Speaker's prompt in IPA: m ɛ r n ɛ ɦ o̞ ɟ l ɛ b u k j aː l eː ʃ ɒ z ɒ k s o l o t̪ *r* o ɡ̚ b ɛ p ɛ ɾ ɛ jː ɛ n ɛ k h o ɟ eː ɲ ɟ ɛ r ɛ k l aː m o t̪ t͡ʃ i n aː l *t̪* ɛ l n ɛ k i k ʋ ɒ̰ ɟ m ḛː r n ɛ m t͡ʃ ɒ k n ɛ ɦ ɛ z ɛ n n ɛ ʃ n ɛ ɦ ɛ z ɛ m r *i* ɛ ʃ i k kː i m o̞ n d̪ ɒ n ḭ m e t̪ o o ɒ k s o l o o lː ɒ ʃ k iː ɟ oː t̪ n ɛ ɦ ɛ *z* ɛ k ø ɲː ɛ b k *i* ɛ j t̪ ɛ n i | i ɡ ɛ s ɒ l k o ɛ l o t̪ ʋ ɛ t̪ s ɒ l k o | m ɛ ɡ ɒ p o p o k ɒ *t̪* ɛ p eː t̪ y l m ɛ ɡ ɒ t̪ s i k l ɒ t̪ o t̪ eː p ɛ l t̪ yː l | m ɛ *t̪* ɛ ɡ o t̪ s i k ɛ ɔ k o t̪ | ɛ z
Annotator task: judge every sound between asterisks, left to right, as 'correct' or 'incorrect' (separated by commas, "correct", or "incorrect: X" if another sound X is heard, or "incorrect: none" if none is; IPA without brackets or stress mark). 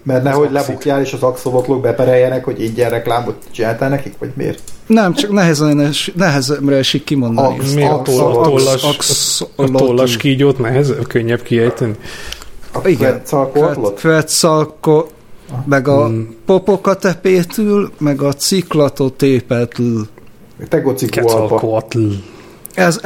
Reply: incorrect: l, correct, incorrect: ɛ, correct, correct, correct, correct